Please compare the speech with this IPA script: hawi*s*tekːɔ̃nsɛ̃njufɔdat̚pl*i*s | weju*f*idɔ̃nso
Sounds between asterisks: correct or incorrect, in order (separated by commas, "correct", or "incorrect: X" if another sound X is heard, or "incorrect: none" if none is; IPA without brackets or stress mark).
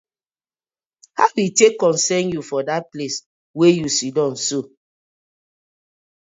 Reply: incorrect: none, incorrect: e, incorrect: s